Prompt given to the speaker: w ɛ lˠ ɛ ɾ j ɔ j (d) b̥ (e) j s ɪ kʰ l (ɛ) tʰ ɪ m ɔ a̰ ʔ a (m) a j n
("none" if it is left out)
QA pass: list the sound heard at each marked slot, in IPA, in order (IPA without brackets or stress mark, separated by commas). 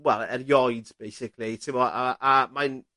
d, e, i, m